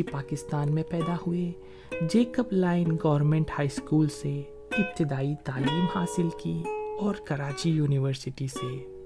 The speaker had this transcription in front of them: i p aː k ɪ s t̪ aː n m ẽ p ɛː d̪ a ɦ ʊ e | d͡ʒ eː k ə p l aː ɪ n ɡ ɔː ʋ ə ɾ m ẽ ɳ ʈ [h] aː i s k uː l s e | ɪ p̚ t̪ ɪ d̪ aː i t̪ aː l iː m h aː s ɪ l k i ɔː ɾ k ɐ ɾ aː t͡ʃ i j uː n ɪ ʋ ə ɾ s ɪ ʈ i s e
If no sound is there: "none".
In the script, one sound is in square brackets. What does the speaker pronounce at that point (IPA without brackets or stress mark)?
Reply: h